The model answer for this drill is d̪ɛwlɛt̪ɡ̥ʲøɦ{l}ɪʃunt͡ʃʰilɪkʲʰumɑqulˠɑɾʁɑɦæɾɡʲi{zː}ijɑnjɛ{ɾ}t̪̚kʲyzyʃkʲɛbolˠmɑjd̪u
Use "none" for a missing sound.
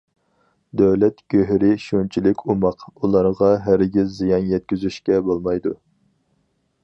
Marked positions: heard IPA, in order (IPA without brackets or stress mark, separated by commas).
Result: ɾ, zː, none